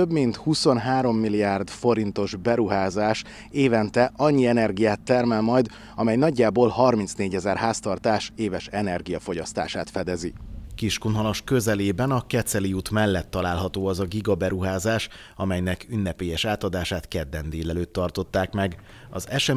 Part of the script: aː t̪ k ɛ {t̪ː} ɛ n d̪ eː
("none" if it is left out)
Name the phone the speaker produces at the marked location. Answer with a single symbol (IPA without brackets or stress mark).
d̪ː